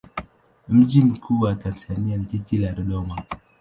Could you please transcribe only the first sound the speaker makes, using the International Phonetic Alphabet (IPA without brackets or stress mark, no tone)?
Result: m̩